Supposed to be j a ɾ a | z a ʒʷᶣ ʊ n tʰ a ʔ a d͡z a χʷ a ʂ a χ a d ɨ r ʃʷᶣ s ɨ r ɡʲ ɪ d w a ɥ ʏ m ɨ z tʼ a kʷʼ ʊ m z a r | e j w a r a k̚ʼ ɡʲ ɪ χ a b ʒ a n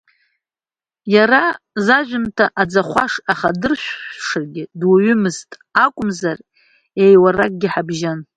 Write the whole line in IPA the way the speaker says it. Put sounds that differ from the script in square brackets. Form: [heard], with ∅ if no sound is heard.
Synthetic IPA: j a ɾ a | z a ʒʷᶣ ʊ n tʰ a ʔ a d͡z a χʷ a ʂ a χ a d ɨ r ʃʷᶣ [ʂ] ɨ r ɡʲ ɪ d w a ɥ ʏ m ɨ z tʼ a kʷʼ ʊ m z a r | e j w a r a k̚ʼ ɡʲ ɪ [ħ] a b ʒ a n